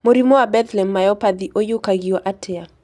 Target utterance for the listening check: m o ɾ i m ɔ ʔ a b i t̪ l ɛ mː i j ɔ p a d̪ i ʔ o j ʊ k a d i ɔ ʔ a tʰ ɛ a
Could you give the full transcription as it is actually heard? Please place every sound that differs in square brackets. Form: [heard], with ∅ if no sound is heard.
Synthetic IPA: m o ɾ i m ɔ [∅] a b [ɛ] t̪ l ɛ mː [a] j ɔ p a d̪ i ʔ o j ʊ k a [ɡ] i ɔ ʔ a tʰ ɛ a

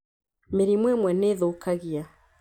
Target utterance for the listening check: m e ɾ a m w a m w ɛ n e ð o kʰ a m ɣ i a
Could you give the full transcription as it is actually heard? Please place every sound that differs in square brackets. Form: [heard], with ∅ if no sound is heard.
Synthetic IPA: m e ɾ [i] m w [ɛ] m w ɛ n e ð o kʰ a [∅] ɣ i a

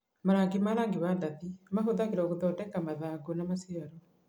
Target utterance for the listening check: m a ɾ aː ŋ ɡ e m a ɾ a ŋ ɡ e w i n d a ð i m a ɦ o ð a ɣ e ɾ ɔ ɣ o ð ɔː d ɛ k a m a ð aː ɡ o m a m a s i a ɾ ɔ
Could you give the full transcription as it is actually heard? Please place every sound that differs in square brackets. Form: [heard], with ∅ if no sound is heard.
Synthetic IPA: m a ɾ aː ŋ ɡ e m a ɾ a ŋ ɡ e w [a] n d a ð i m a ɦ o ð a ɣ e ɾ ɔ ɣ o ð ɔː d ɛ k a m a ð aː ɡ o [n] a m a s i a ɾ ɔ

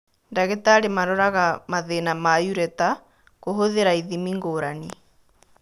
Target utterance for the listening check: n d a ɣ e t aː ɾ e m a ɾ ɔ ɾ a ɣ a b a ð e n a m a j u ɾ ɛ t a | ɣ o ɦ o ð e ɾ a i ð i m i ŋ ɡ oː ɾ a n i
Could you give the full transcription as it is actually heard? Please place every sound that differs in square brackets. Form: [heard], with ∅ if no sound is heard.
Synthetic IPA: n d a ɣ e t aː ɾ e m a ɾ ɔ ɾ a ɣ a [m] a ð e n a m a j u ɾ ɛ t a | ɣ o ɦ o ð e ɾ a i ð i m i ŋ ɡ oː ɾ a n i

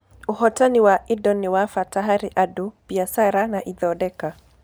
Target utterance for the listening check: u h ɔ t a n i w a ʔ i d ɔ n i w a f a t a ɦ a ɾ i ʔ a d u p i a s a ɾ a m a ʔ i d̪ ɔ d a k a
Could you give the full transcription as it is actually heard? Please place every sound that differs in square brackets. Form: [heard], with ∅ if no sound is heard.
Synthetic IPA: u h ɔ t a n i w a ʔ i d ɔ n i w a f a t a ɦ a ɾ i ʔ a d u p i a s a ɾ a [n] a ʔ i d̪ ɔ d [ɛ] k a

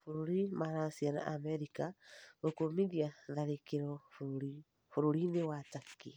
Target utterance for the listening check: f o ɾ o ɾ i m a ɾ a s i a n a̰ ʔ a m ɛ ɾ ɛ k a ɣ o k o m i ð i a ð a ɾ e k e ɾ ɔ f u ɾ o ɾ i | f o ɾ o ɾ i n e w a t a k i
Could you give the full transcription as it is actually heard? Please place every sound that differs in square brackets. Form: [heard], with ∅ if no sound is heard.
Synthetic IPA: f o ɾ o ɾ i m a ɾ a s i a n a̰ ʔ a m ɛ ɾ [i] k a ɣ o k o m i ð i a ð a ɾ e k e ɾ ɔ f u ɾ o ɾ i | f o ɾ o ɾ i n e w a t a k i

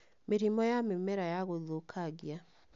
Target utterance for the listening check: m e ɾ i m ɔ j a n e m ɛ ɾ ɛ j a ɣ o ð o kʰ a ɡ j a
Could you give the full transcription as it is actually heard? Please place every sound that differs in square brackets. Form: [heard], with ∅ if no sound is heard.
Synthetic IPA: m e ɾ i m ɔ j a [m] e m ɛ ɾ [a] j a ɣ o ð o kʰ a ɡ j a

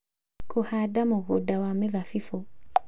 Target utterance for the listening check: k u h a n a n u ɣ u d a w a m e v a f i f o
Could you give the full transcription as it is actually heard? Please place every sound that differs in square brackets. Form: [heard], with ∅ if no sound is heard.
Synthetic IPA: k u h a [d] a [m] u ɣ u d a w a m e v a f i f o

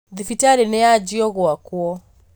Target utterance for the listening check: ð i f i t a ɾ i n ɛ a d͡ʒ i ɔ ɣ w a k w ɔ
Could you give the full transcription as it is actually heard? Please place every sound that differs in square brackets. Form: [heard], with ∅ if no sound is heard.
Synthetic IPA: ð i f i t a ɾ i n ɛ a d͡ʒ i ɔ ɣ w a k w ɔ

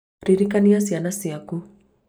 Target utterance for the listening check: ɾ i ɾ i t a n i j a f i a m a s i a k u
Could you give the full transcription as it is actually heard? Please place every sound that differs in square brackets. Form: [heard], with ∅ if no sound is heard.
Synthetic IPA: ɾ i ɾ i [k] a n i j a [s] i a [n] a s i a k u

